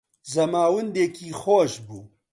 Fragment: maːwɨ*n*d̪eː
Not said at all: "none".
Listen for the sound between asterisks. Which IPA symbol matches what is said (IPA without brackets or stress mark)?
n